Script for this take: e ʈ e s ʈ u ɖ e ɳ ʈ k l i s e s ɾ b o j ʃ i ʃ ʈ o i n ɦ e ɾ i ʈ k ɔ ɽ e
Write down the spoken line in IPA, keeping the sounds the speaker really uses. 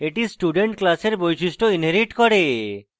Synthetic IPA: e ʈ i s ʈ u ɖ e ɳ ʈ k l a s e ɾ b o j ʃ i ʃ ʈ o i n ɦ e ɾ i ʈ k ɔ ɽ e